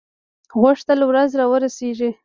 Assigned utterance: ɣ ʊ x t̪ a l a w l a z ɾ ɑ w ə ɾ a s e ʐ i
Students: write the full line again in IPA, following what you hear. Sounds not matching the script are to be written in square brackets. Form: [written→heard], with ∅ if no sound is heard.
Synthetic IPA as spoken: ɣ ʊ [x→ʂ] t̪ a l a w [l→ɾ] a z ɾ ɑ w ə ɾ a s e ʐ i